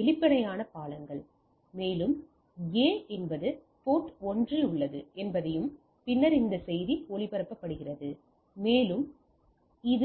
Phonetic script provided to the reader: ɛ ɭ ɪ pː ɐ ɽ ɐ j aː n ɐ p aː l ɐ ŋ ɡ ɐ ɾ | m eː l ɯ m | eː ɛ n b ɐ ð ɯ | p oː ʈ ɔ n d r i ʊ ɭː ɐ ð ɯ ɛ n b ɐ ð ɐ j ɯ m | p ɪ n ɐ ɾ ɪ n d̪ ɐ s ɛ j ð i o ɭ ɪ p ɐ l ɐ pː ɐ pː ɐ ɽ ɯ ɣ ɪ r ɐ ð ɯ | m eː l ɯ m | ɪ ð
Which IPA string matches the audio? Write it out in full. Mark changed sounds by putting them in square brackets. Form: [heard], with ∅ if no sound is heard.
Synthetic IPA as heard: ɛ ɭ ɪ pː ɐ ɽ ɐ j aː n ɐ p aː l ɐ ŋ ɡ ɐ [ɭ] | m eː l ɯ m | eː ɛ n b ɐ ð ɯ | p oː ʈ ɔ n d r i ʊ ɭː ɐ ð ɯ ɛ n b ɐ ð ɐ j ɯ m | p ɪ [nː] ɐ ɾ ɪ n d̪ ɐ s ɛ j ð i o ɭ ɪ p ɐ [ɾ] ɐ pː ɐ pː ɐ ɽ ɯ ɣ ɪ r ɐ ð ɯ | m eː l ɯ m | ɪ ð